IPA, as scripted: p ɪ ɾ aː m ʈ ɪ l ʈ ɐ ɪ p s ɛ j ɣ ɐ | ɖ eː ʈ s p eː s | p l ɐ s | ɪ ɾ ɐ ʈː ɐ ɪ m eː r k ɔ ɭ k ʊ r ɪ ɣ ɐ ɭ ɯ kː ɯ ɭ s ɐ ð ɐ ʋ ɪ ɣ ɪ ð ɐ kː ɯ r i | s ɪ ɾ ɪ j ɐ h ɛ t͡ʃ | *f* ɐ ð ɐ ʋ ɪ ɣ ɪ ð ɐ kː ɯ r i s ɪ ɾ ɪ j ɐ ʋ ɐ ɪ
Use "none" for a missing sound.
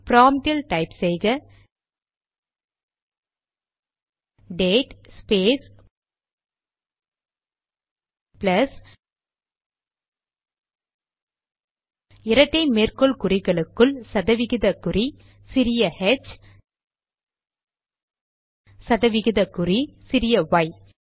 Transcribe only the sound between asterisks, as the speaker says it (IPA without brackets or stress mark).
s